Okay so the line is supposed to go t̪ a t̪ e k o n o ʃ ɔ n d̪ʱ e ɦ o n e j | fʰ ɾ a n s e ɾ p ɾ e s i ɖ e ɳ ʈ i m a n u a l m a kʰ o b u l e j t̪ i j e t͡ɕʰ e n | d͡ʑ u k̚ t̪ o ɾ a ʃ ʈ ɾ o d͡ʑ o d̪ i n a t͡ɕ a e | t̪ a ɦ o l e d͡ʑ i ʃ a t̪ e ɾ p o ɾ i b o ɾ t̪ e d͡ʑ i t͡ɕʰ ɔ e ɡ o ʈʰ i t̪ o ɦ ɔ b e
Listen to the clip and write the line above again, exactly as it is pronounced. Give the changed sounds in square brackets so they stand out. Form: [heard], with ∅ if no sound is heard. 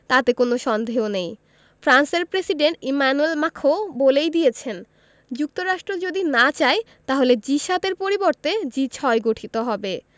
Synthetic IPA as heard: t̪ a t̪ e k o n o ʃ ɔ n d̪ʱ e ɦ o n e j | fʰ ɾ a n s e ɾ p ɾ e s i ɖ e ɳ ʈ i m a n u [e] l m a kʰ o b [o] l e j [d̪] i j e t͡ɕʰ e n | d͡ʑ u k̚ t̪ o ɾ a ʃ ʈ ɾ o d͡ʑ o d̪ i n a t͡ɕ a e | t̪ a ɦ o l e d͡ʑ i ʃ a t̪ e ɾ p o ɾ i b o ɾ t̪ e d͡ʑ i t͡ɕʰ ɔ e ɡ o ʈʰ i t̪ o ɦ ɔ b e

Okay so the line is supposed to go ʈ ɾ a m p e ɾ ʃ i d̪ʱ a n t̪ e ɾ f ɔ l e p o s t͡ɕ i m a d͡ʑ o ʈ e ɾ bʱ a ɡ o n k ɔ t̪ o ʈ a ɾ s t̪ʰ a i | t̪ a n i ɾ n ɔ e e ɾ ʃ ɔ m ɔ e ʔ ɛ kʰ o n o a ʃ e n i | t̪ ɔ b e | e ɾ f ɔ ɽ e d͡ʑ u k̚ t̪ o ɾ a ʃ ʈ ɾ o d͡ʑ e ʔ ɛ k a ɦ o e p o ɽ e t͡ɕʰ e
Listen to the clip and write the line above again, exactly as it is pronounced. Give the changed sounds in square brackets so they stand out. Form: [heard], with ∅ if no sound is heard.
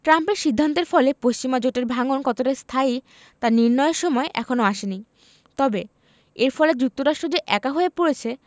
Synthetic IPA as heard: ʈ ɾ a m p e ɾ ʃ i [d̪ʱː] a n t̪ e ɾ f ɔ l e p o s t͡ɕ i m a d͡ʑ o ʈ e ɾ bʱ a [ŋ] o n k ɔ t̪ o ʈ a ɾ s t̪ʰ a i | t̪ a n i ɾ n ɔ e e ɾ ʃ ɔ m ɔ e ʔ ɛ kʰ o n o a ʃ e n i | t̪ ɔ b e | e ɾ f ɔ [l] e d͡ʑ u k̚ t̪ o ɾ a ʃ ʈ ɾ o d͡ʑ e ʔ ɛ k a ɦ o e p o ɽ e t͡ɕʰ e

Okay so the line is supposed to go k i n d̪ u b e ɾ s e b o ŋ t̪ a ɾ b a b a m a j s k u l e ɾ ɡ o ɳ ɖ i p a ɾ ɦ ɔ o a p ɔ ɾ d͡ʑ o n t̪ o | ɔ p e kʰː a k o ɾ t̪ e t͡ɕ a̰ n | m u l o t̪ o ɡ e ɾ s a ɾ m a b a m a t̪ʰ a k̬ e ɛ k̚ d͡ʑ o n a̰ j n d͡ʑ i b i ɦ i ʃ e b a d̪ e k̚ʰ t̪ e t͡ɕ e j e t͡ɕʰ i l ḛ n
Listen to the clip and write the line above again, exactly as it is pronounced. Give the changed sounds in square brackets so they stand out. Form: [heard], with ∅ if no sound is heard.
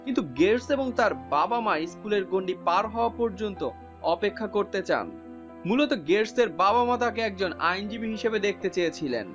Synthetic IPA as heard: k i n [t̪] u [ɡ] e ɾ s e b o ŋ t̪ a ɾ b a b a m a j s k u l e ɾ ɡ o ɳ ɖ i p a ɾ ɦ ɔ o a p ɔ ɾ d͡ʑ o n t̪ o | ɔ p e kʰː a k o ɾ t̪ e t͡ɕ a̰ n | m u l o t̪ o ɡ e ɾ s [e] ɾ [b] a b a m a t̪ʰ a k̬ e ɛ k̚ d͡ʑ o n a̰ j n d͡ʑ i b i ɦ i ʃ e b [e] d̪ e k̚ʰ t̪ e t͡ɕ e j e t͡ɕʰ i l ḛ n

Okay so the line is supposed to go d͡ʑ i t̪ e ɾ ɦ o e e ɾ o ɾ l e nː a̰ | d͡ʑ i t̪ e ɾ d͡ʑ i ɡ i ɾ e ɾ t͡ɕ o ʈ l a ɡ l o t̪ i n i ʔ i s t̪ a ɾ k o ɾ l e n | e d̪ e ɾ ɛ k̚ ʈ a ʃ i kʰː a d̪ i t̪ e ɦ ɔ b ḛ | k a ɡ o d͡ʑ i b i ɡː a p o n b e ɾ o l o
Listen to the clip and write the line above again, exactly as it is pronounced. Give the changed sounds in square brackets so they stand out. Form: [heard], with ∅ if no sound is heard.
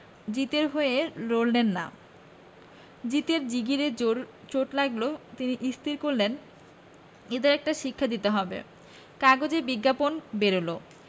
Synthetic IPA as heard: d͡ʑ i t̪ e ɾ ɦ o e e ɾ o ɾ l e nː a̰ | d͡ʑ i t̪ e ɾ d͡ʑ i ɡ i ɾ e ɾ t͡ɕ o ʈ l a ɡ l o t̪ i n i ʔ i s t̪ [i] ɾ k o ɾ l e n | e d̪ e ɾ ɛ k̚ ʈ a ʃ i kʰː a d̪ i t̪ e ɦ ɔ b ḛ | k a ɡ o d͡ʑ [e] b i ɡː a p o n b e ɾ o l o

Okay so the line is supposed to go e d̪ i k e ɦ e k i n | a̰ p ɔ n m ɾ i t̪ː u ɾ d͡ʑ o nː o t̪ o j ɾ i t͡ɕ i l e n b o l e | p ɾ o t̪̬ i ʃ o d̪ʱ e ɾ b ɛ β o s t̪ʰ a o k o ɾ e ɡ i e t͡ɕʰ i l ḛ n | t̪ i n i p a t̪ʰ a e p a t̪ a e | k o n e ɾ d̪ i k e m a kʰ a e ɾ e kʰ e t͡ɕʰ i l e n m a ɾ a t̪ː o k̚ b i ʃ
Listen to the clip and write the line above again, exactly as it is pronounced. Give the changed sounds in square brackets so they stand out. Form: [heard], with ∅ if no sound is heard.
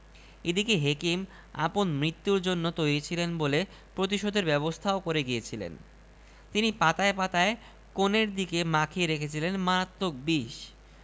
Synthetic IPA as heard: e d̪ i k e ɦ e k i [m] | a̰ p [o] n m ɾ i t̪ː u ɾ d͡ʑ o nː o t̪ o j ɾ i [t͡ɕʰ] i l e n b o l e | p ɾ o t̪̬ i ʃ o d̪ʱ e ɾ b ɛ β o s t̪ʰ a o k o ɾ e ɡ i e t͡ɕʰ i l ḛ n | t̪ i n i p a [t̪] a e p a t̪ a e | k o n e ɾ d̪ i k e m a kʰ [i] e ɾ e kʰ e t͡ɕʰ i l e n m a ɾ a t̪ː o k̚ b i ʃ

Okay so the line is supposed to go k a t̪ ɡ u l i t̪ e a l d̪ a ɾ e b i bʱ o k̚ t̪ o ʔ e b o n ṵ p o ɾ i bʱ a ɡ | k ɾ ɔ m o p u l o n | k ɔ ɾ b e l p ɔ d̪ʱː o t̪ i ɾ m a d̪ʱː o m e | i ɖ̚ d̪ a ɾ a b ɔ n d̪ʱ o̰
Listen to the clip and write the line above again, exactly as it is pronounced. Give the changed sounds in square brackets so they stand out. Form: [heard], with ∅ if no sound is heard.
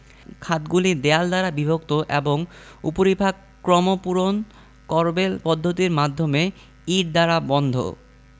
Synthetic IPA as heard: [kʰ] a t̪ ɡ u l i [d̪] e a l d̪ a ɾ [a] b i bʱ o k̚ t̪ o ʔ e b o [ŋ] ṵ p o ɾ i bʱ a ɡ | k ɾ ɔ m o p u [ɾ] o n | k ɔ ɾ b e l p ɔ d̪ʱː o t̪ i ɾ m a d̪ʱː o m e | i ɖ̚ d̪ a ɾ a b ɔ n d̪ʱ o̰

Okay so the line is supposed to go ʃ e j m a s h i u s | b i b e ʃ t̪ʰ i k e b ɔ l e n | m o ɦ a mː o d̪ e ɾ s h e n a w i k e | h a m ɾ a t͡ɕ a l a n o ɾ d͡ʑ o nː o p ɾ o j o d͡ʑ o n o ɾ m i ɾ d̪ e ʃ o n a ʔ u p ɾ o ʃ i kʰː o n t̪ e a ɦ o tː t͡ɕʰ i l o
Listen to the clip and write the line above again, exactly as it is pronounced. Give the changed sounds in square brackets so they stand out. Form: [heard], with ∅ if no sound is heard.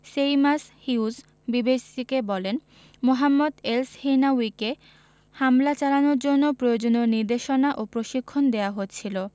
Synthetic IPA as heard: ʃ e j m a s h i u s | b i b e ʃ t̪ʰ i k e b ɔ l e n | m o ɦ a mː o d̪ e [l] s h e n a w i k e | h a m [l] a t͡ɕ a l a n o ɾ d͡ʑ o nː o p ɾ o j o d͡ʑ o n o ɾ [n] i ɾ d̪ e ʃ o n a ʔ [o] p ɾ o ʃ i kʰː o n [d̪] e a ɦ o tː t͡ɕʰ i l o

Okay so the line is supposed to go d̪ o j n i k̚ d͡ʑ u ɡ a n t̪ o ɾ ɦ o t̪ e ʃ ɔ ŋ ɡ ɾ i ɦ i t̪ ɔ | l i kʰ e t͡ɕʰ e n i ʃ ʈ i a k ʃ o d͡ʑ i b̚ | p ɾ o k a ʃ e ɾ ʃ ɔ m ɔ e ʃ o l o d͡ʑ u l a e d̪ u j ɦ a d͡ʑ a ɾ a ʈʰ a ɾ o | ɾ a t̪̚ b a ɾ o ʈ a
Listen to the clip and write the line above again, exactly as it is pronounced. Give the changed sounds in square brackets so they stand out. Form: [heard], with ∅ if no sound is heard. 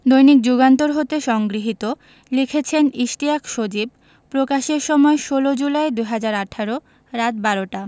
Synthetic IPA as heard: d̪ o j n i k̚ d͡ʑ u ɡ a n t̪ o ɾ ɦ o t̪ e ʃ ɔ ŋ ɡ ɾ i ɦ i t̪ [o] | l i kʰ e t͡ɕʰ e n i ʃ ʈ i a k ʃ o d͡ʑ i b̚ | p ɾ o k a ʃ e ɾ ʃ ɔ m ɔ e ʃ o l o d͡ʑ u l a e d̪ u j ɦ a d͡ʑ a ɾ a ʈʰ a ɾ o | ɾ a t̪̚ b a ɾ o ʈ a

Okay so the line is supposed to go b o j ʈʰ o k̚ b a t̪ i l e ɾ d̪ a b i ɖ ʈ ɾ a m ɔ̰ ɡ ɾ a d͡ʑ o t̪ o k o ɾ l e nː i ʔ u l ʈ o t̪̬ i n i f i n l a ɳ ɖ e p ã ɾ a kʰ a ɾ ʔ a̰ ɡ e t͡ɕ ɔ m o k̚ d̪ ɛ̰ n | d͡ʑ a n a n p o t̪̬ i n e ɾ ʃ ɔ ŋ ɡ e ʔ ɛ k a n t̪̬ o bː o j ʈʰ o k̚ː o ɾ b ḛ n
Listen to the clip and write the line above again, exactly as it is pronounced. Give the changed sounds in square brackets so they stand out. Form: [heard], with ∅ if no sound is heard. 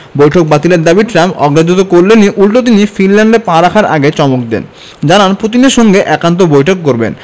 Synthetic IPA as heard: b o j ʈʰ o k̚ b a t̪ i l e ɾ d̪ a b i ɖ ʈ ɾ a m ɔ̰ ɡ ɾ a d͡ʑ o t̪ o k o ɾ l e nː i ʔ u l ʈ o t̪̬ i n i f i n l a ɳ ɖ e p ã ɾ a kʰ a ɾ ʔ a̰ ɡ e t͡ɕ ɔ m o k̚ d̪ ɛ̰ n | d͡ʑ a n a n p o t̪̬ i n e ɾ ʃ ɔ ŋ ɡ e ʔ ɛ k a n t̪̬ o [b] o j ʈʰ o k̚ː o ɾ b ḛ n

